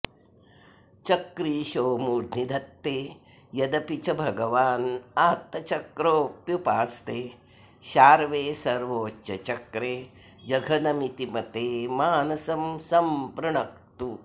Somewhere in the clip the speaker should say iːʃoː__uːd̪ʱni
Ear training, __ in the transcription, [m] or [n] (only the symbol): m